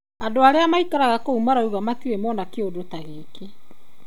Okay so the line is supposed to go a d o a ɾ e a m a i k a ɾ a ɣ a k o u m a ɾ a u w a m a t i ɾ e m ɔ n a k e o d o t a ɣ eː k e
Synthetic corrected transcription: a d o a ɾ e a m a i k a ɾ a ɣ a k o u m a ɾ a u ɣ a m a t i ɾ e m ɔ n a k e o d o t a ɣ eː k e